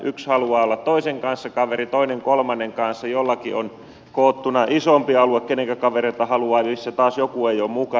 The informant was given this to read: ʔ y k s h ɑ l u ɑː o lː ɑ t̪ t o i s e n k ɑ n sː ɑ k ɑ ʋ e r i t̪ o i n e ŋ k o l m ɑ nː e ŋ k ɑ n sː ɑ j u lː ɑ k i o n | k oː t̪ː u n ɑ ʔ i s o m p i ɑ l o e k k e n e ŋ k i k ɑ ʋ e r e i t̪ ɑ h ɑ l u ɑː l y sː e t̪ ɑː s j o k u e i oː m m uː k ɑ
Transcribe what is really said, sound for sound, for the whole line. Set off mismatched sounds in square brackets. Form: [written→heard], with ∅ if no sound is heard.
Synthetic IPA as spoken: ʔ y k s h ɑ l u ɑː o lː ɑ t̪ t o i s e [n→ŋ] k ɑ n sː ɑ k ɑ ʋ e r i t̪ o i n e ŋ k o l m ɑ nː e ŋ k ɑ n sː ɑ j [u→o] lː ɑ k i o n | k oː t̪ː u n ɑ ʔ i s o m p i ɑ l [o→u] e k k e n e ŋ k [i→æ] k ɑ ʋ e r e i t̪ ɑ h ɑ l u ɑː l [y→i] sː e t̪ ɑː s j o k u e i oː m m [uː→u] k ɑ